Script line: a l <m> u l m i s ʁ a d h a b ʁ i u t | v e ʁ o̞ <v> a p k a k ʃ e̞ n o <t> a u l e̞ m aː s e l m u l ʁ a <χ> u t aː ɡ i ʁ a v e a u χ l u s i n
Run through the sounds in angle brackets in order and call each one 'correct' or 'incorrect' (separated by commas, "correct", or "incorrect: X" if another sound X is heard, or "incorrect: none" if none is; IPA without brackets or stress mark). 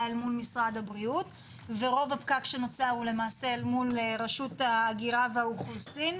correct, correct, incorrect: t͡s, incorrect: ʃ